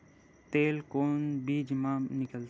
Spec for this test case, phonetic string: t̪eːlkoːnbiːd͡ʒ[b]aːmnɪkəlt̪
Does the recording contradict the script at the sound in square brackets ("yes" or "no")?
yes